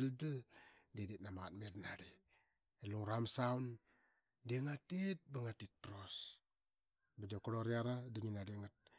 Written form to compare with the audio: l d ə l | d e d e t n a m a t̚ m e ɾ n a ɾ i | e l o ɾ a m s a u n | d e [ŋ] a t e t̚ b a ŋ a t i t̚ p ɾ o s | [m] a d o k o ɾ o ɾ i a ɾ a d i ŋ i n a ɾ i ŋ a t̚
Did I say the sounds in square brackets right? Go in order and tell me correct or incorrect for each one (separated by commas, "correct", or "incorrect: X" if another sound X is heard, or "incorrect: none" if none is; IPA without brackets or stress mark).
correct, incorrect: b